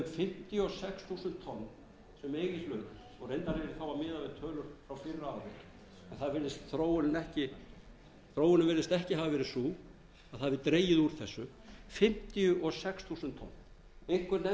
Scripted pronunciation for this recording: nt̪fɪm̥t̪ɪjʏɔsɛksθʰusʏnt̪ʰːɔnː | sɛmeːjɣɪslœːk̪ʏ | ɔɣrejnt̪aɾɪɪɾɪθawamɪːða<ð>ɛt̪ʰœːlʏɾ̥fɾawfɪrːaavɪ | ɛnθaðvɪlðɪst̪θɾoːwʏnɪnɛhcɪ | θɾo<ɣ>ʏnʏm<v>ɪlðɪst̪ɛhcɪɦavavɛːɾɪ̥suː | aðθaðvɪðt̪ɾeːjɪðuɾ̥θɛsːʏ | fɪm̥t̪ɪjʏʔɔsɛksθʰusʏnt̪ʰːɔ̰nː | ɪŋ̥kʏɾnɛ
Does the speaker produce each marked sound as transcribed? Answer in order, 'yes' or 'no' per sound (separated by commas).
no, no, yes